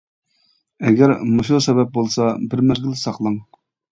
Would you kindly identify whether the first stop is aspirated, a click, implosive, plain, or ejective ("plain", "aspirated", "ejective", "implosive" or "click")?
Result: plain